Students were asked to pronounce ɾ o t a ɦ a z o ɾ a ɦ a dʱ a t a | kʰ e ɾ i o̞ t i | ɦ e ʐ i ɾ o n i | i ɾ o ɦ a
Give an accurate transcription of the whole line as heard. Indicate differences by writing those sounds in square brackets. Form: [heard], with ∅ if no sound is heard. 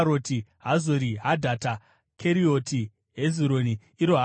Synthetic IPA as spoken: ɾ o t [i] ɦ a z o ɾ [i] ɦ a dʱ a t a | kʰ e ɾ i o̞ t i | ɦ e [z] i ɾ o n i | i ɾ o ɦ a